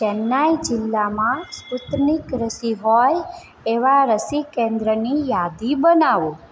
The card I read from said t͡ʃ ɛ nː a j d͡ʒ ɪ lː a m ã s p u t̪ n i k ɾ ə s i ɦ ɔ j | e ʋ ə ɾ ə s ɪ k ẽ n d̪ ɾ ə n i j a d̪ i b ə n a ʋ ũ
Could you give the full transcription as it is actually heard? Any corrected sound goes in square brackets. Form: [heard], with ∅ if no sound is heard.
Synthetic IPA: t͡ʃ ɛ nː a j d͡ʒ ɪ lː a m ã s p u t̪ n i k ɾ ə s i ɦ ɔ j | e ʋ [a] ɾ ə s [i] k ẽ n d̪ ɾ ə n i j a d̪ i b ə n a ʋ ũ